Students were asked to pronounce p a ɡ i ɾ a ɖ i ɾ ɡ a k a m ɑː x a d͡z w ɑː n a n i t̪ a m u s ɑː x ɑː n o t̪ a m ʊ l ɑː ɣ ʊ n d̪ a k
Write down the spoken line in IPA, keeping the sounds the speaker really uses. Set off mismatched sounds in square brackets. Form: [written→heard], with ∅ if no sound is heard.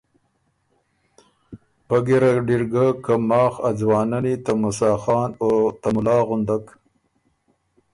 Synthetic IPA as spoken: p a ɡ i ɾ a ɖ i ɾ ɡ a k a m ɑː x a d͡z w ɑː n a n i t̪ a m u s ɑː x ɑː n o t̪ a m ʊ l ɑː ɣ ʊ n d̪ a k